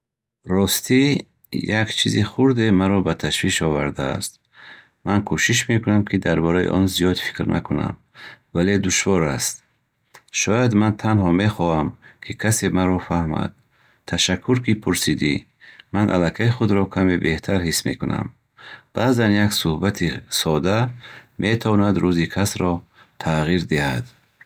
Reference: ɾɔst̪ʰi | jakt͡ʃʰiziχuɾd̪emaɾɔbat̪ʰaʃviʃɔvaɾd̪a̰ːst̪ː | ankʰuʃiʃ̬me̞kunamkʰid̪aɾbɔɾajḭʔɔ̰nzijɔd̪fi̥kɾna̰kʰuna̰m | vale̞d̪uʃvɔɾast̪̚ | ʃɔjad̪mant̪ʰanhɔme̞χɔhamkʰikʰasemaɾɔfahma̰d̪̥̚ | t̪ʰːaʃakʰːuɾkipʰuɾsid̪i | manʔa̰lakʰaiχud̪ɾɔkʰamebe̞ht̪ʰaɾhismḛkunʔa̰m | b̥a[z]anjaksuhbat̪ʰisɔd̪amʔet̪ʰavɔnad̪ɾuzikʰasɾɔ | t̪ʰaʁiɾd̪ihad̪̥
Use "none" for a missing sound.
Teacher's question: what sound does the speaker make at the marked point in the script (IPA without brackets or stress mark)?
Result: z